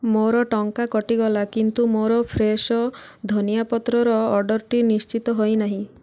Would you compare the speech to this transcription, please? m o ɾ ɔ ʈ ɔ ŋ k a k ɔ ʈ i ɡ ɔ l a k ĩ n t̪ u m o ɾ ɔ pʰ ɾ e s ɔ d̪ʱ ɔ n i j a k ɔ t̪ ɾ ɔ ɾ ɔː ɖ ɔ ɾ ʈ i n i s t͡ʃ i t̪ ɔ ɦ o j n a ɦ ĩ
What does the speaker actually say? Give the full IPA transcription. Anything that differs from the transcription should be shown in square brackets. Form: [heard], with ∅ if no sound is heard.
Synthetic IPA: m o ɾ ɔ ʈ ɔ ŋ k a k ɔ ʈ i ɡ ɔ l a k [i] n t̪ u m o ɾ ɔ pʰ ɾ e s ɔ d̪ʱ ɔ n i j a [p] ɔ t̪ ɾ ɔ ɾ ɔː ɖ ɔ ɾ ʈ i n i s t͡ʃ i t̪ ɔ ɦ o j n a ɦ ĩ